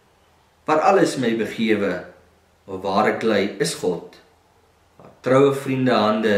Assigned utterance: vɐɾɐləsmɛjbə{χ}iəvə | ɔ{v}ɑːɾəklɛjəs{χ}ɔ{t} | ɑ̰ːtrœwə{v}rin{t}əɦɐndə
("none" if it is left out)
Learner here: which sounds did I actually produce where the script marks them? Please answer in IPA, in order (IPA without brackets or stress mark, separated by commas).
χ, v, χ, t, f, d